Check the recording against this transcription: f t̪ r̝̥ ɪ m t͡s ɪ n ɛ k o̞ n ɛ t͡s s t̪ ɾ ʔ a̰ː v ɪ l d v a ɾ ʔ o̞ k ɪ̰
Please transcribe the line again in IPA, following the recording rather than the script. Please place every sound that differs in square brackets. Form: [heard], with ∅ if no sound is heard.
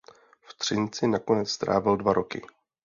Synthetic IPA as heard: f t̪ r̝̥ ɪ [n] t͡s ɪ n [a] k o̞ n ɛ t͡s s t̪ ɾ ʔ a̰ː v ɪ l d v a ɾ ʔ o̞ k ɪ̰